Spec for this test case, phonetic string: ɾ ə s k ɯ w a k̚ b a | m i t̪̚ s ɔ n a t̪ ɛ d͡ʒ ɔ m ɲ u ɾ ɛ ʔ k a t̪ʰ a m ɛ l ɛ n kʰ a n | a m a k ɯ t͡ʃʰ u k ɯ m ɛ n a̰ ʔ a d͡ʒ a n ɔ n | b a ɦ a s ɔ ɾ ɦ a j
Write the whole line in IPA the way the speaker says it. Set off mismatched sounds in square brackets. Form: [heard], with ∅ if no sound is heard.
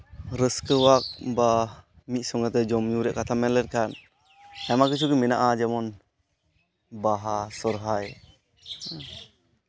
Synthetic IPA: ɾ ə s k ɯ w a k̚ b a | m i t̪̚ s ɔ [ŋ] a t̪ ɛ d͡ʒ ɔ m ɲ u ɾ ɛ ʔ k a t̪ʰ a m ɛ l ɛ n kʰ a n | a m a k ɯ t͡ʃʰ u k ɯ m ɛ n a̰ ʔ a d͡ʒ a [m] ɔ n | b a ɦ a s ɔ ɾ ɦ a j